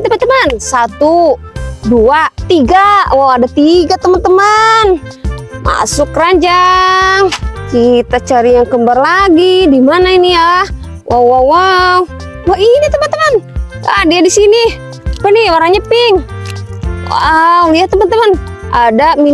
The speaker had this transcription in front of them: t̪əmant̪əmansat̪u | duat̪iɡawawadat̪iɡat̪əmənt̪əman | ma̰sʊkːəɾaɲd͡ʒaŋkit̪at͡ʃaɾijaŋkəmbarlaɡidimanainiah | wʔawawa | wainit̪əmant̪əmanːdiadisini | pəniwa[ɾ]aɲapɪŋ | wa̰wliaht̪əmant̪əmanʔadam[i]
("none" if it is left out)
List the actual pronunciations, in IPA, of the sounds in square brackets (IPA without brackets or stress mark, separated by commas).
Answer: ɾ, i